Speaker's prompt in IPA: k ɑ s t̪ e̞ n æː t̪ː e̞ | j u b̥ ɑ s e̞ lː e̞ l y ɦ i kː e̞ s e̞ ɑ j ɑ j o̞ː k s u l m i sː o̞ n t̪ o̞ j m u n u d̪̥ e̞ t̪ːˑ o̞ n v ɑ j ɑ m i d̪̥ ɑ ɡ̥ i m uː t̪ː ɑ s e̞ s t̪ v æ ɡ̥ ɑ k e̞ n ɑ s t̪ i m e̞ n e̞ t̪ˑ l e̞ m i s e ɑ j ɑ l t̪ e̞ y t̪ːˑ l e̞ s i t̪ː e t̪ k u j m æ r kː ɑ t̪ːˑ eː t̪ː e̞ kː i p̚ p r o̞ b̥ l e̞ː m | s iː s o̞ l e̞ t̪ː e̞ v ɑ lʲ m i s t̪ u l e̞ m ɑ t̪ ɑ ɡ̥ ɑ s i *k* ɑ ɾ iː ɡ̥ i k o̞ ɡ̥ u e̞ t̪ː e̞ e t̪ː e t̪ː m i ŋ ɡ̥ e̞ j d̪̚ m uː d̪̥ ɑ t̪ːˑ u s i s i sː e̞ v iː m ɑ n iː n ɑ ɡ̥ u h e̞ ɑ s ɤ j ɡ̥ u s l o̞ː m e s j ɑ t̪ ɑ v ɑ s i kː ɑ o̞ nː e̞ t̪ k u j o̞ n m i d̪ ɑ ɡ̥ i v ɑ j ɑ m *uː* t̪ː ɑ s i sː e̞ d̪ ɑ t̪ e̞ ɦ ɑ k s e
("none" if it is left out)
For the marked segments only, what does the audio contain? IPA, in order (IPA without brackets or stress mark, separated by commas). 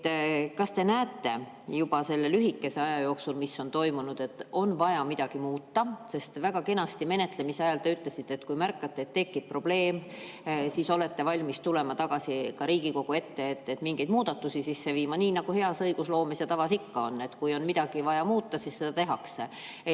k, uː